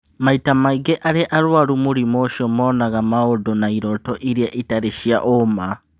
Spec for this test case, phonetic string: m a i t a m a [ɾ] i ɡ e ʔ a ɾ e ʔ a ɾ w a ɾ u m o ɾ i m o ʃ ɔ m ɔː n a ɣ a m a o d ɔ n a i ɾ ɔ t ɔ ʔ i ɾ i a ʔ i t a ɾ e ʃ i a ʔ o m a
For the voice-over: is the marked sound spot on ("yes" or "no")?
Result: no